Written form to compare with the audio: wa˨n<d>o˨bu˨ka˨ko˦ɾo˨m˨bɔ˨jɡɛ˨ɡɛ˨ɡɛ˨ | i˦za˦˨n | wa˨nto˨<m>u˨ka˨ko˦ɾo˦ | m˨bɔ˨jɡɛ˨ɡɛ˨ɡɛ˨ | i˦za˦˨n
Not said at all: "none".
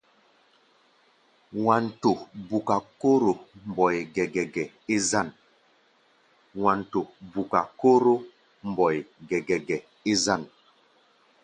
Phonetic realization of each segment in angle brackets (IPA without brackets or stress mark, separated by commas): t, b